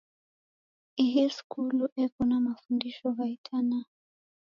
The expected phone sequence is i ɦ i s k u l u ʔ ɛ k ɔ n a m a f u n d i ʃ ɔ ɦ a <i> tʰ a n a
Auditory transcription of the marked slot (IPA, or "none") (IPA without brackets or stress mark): i